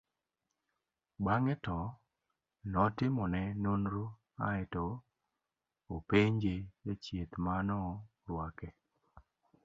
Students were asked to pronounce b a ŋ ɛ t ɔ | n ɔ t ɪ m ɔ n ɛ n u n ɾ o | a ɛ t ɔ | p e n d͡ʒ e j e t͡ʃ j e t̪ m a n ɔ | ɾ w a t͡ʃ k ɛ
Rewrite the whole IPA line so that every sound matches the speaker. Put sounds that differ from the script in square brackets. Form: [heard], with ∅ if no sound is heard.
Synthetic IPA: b a ŋ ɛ t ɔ | n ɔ t ɪ m ɔ n ɛ n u n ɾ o | a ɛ t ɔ | p e [ɲ] d͡ʒ e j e t͡ʃ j e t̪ m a n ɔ | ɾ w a [∅] k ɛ